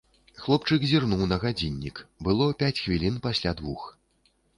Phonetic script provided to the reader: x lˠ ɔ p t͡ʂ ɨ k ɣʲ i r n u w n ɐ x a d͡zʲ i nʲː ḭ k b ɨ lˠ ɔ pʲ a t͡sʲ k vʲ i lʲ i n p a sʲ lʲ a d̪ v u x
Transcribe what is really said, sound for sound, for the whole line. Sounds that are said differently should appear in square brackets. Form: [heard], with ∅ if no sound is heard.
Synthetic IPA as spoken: x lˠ ɔ p t͡ʂ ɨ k [zʲ] i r n u w n ɐ [ɣ] a d͡zʲ i nʲː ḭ k b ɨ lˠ ɔ pʲ a t͡sʲ [x] vʲ i lʲ i n p a sʲ lʲ a d̪ v u x